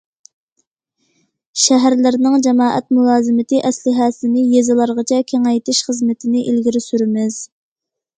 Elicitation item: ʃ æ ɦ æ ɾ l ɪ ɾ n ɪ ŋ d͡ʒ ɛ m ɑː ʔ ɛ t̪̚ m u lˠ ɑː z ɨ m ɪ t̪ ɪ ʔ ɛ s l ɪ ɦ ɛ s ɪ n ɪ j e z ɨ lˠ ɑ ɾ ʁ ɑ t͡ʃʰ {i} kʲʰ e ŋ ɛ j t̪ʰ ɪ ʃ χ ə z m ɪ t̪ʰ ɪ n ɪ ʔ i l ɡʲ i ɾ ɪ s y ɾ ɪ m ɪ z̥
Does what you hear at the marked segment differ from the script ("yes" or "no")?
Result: yes